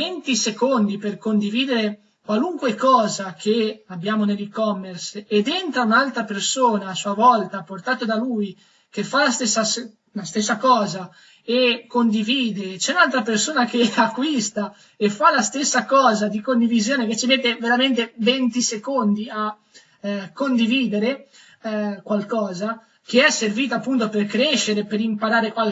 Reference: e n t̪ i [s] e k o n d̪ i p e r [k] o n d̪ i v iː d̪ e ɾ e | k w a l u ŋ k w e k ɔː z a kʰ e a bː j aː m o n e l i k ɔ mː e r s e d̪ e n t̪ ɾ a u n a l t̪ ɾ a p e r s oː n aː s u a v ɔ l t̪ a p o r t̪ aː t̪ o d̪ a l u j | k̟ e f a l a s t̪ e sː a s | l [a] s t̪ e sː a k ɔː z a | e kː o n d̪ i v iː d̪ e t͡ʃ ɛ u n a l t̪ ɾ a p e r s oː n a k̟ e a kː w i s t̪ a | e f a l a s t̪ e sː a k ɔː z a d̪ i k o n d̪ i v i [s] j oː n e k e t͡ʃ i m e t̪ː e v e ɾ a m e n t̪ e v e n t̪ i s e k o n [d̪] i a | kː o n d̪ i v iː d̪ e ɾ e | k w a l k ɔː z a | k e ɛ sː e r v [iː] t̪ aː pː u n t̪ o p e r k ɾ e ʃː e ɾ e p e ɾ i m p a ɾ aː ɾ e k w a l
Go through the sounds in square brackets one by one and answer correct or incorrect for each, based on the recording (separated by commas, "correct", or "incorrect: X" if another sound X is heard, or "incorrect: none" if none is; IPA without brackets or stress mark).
correct, correct, correct, incorrect: z, correct, correct